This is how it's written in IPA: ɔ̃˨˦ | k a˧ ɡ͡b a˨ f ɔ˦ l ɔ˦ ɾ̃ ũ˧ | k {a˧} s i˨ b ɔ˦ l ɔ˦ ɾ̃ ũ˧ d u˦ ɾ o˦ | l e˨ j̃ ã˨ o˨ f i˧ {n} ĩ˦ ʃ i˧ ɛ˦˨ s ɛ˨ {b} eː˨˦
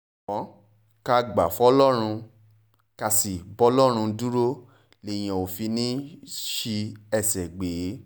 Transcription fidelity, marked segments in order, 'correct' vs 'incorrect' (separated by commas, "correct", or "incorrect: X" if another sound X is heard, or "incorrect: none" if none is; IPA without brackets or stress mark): correct, correct, incorrect: ɡ͡b